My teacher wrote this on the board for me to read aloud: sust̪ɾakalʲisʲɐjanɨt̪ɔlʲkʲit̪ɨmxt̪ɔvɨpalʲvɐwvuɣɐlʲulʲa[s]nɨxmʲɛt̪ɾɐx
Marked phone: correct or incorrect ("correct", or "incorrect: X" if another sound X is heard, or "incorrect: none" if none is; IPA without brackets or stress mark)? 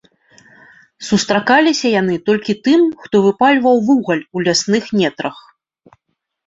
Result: correct